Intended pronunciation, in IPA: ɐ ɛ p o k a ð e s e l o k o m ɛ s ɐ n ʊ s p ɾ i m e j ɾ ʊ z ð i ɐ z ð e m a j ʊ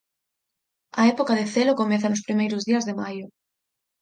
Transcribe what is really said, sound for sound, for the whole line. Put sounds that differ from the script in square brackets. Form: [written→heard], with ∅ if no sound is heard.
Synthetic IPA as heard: ɐ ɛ p o k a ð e [s→θ] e l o k o m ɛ [s→θ] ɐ n ʊ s p ɾ i m e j ɾ ʊ z ð i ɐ z ð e m a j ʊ